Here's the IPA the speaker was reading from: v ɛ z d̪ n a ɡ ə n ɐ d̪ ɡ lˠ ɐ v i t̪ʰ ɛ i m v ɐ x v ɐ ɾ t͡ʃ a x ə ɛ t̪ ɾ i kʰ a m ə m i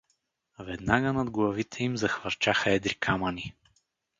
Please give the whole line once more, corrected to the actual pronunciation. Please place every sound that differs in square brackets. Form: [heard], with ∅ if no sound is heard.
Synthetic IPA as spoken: v ɛ [∅] d̪ n a ɡ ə n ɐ d̪ ɡ lˠ ɐ v i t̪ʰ ɛ i m [z] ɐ x v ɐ ɾ t͡ʃ a x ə ɛ [d̪] ɾ i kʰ a m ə [n] i